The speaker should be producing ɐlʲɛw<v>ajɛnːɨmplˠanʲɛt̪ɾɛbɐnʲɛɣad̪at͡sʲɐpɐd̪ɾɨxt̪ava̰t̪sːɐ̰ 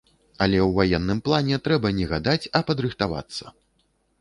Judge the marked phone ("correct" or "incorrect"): correct